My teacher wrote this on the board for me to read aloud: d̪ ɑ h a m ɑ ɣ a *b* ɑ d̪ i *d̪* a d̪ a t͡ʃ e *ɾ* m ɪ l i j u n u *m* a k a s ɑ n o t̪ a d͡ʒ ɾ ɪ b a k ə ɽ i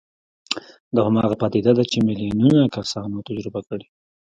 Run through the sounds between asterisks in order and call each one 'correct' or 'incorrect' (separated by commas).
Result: incorrect, correct, incorrect, incorrect